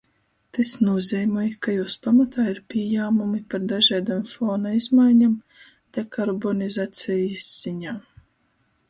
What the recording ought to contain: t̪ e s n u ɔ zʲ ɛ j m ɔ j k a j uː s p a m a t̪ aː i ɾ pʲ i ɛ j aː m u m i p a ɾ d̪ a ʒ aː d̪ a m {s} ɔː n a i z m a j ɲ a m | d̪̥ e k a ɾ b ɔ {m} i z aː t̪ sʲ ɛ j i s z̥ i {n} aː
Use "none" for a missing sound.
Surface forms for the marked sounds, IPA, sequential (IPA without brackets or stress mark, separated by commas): f, n, ɲ